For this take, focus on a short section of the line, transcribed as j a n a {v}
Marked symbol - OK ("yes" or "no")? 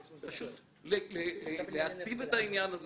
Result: no